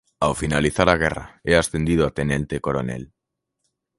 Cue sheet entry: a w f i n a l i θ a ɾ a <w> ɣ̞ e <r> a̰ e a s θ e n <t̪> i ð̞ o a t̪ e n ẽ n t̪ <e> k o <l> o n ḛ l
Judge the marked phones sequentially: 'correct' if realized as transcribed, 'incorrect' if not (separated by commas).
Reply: incorrect, correct, incorrect, correct, incorrect